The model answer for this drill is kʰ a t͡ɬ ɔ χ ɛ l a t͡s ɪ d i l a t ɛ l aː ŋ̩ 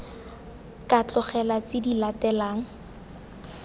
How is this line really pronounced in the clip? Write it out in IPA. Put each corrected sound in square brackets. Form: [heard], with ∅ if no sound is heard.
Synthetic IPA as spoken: [k] a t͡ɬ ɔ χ ɛ l a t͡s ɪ d i l a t ɛ l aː ŋ̩